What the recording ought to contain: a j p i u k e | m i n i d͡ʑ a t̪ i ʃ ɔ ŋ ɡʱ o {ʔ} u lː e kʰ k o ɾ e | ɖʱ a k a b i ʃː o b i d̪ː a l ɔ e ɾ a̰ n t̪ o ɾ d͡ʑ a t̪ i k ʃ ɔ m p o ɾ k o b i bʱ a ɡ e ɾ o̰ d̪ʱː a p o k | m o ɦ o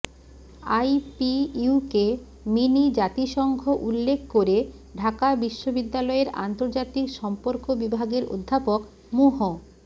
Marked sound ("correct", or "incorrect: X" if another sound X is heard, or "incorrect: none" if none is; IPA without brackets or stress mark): correct